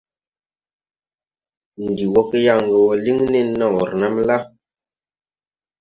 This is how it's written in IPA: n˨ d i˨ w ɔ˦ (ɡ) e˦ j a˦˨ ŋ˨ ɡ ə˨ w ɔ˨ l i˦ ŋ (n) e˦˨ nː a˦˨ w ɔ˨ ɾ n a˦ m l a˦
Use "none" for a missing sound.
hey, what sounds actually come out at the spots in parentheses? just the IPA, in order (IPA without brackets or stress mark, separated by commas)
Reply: k, n